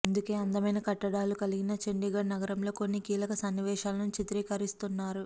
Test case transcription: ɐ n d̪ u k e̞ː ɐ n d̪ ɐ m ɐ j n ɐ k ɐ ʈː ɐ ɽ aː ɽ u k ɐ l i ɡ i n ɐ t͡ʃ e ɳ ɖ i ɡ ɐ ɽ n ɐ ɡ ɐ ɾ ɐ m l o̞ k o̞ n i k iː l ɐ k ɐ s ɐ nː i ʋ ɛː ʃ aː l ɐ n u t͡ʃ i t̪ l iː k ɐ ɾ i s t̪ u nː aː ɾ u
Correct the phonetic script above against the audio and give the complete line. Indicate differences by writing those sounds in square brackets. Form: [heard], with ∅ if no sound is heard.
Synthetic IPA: ɐ n d̪ u k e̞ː ɐ n d̪ ɐ m ɐ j n ɐ k ɐ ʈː ɐ ɽ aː [l] u k ɐ l i ɡ i n ɐ t͡ʃ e ɳ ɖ i ɡ ɐ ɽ n ɐ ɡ ɐ ɾ ɐ m l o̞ k o̞ [nː] i k iː l ɐ k ɐ s ɐ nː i ʋ ɛː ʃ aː l ɐ n u t͡ʃ i t̪ [ɾ] iː k ɐ ɾ i s t̪ u nː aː ɾ u